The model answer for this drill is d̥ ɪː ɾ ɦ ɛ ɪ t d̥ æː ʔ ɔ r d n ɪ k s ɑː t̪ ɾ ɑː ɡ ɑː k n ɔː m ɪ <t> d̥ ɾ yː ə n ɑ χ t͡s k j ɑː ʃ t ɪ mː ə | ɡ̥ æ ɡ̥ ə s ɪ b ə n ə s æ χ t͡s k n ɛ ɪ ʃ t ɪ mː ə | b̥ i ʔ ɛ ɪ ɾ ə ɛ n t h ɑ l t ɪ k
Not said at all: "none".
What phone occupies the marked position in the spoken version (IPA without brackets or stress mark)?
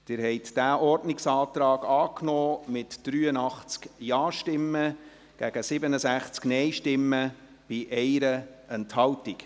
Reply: t